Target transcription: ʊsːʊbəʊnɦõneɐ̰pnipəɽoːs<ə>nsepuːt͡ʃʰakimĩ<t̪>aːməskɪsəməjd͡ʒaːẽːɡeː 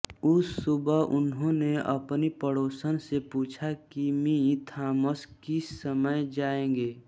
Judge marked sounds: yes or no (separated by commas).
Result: yes, no